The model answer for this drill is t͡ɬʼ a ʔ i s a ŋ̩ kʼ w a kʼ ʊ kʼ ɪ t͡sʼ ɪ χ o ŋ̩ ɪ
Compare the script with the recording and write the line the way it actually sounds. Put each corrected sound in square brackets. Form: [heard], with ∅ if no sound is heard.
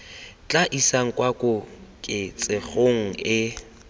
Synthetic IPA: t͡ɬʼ a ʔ i s a ŋ̩ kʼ w a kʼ ʊ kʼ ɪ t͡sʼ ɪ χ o ŋ̩ ɪ